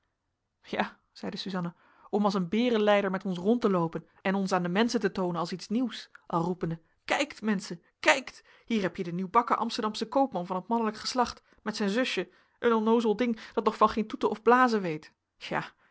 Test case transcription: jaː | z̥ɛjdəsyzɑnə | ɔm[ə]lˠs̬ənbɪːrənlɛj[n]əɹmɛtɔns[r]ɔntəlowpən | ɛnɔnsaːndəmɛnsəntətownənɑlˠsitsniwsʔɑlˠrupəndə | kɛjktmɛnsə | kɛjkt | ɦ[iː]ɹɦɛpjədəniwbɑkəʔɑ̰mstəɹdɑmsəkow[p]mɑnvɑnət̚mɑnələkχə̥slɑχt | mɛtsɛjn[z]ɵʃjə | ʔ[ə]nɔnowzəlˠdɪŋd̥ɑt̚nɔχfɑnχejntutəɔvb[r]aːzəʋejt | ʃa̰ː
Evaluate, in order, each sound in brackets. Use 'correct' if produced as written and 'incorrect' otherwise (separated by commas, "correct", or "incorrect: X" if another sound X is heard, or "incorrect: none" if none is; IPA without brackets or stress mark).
incorrect: ɑ, incorrect: d, correct, correct, correct, correct, correct, incorrect: l